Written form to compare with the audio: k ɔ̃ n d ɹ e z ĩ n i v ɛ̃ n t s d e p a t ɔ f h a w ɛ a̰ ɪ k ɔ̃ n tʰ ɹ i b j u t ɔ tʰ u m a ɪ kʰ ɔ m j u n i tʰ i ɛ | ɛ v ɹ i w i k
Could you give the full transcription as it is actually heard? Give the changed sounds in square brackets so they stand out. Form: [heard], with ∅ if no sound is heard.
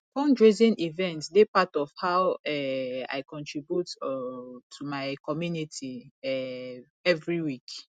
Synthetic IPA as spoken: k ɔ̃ n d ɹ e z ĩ n i v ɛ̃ n t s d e p a t ɔ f h a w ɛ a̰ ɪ k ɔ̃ n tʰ ɹ i b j u t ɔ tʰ u m a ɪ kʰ ɔ m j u n i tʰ i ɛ | ɛ v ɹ i w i k